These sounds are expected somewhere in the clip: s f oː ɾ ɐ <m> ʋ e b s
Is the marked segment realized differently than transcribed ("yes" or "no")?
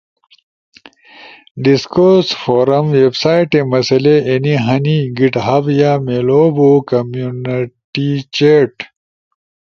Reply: no